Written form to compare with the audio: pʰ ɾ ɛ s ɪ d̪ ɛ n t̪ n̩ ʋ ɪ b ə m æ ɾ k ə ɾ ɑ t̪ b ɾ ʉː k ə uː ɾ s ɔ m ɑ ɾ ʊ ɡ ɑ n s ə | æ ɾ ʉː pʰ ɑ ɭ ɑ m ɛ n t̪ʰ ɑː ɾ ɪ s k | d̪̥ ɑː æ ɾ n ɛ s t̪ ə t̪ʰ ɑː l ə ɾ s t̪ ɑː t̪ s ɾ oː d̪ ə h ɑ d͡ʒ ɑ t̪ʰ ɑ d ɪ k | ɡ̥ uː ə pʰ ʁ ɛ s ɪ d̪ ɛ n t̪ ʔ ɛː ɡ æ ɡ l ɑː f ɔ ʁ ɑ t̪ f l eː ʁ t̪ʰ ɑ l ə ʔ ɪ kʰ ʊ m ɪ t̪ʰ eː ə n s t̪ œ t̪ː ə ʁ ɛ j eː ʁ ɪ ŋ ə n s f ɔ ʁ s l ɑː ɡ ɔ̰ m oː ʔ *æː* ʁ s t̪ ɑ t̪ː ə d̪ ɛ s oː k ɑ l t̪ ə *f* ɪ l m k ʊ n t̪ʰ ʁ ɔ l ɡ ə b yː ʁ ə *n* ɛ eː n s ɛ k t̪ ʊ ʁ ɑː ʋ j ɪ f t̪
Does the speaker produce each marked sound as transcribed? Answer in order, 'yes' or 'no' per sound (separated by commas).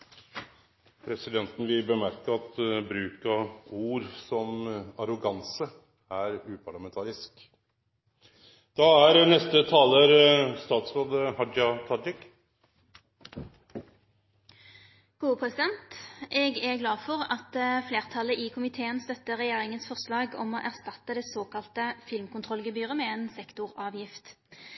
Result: no, yes, no